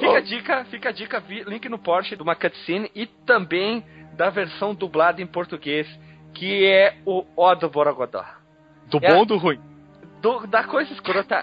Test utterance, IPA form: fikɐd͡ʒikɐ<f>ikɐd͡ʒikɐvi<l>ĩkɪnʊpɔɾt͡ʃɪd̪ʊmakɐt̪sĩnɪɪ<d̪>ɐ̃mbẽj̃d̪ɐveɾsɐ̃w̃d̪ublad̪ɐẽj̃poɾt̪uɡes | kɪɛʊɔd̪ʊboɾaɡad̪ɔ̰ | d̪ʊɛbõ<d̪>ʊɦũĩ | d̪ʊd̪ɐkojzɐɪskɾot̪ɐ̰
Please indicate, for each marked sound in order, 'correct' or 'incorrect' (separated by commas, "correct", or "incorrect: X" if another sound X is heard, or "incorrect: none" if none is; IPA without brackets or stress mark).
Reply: correct, correct, incorrect: t̪, correct